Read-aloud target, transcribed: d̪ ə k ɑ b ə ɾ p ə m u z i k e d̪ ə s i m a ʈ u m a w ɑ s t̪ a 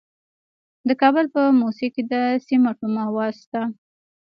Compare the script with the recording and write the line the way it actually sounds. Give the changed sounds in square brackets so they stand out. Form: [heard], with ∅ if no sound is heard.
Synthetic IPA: d̪ ə k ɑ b ə [l] p ə m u [s] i k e d̪ ə s i m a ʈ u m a w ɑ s t̪ a